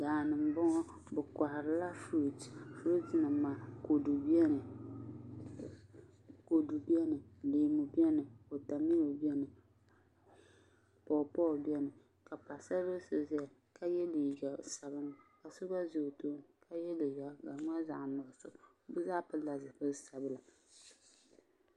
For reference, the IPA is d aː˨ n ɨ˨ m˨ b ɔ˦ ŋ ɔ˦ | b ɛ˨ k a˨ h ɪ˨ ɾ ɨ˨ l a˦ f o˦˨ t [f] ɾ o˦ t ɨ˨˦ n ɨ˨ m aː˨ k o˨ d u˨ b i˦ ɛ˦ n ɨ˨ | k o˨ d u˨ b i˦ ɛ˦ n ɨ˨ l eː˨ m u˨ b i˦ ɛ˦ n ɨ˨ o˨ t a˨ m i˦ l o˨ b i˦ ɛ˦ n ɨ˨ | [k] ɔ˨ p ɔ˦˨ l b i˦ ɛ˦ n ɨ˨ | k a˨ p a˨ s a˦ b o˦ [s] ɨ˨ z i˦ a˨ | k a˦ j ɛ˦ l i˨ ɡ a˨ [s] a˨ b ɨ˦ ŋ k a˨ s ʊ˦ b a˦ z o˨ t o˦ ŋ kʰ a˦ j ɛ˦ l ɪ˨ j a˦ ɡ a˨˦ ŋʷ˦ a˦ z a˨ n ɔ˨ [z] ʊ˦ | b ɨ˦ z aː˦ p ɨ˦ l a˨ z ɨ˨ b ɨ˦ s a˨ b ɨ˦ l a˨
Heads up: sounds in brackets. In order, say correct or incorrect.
correct, incorrect: p, correct, correct, incorrect: s

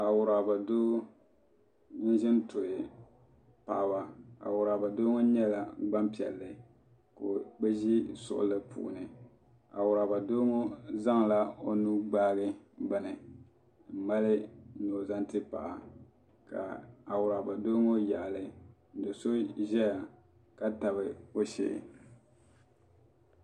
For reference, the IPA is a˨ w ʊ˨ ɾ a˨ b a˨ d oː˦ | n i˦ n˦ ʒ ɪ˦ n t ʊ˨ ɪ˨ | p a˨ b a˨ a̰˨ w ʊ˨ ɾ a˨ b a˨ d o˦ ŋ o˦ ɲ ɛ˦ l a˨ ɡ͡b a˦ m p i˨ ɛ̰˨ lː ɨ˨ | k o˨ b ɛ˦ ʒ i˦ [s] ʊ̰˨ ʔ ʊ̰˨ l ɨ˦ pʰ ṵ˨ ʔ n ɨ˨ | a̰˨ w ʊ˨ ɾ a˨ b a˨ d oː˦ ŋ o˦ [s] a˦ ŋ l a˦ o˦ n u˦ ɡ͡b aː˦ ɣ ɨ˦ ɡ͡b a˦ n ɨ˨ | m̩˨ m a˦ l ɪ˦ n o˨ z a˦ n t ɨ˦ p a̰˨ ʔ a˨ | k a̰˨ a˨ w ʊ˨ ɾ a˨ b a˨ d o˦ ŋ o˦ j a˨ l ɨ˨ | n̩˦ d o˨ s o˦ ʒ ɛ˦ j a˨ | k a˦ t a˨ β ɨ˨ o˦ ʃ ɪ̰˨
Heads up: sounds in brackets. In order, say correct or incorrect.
correct, incorrect: z

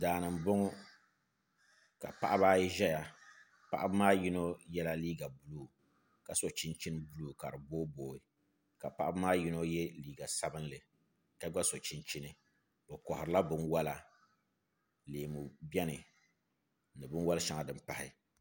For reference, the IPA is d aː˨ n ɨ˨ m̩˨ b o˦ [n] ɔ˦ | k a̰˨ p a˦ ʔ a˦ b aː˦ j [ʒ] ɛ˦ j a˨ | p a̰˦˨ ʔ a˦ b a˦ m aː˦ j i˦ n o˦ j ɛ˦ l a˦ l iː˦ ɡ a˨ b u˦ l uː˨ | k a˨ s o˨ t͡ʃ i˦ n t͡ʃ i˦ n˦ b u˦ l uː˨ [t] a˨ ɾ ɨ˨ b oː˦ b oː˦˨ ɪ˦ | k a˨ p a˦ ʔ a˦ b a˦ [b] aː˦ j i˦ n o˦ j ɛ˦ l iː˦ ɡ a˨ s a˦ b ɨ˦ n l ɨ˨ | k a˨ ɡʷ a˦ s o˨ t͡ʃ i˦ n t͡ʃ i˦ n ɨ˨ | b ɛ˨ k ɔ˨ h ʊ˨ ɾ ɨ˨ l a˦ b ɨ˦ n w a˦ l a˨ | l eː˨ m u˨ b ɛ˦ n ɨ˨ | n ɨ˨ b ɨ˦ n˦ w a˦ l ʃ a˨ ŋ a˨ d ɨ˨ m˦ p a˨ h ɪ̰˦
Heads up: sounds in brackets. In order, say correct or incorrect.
incorrect: ŋ, correct, incorrect: k, incorrect: m

